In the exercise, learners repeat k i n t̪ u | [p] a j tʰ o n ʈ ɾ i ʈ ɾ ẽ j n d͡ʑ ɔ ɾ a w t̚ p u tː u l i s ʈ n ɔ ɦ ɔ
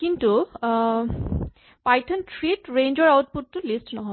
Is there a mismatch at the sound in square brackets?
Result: no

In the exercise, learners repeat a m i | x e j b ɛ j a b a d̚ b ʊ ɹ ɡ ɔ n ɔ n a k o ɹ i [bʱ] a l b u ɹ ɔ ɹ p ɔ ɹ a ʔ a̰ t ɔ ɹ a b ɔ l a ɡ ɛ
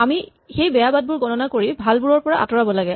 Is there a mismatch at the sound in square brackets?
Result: no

